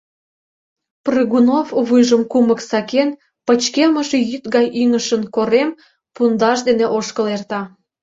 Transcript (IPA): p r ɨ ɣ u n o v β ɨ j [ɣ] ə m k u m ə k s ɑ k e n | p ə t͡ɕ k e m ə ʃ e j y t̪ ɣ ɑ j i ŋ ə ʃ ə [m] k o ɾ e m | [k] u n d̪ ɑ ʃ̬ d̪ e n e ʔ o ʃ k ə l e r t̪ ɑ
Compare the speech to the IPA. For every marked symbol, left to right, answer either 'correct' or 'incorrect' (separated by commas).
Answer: incorrect, incorrect, incorrect